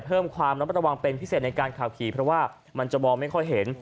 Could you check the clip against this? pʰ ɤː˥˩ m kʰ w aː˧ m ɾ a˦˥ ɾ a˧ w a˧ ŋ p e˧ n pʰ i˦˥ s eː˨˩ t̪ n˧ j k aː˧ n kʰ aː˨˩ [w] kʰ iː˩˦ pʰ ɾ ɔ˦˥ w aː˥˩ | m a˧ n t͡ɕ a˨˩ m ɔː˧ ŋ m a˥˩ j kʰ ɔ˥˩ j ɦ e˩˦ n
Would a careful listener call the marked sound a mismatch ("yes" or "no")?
no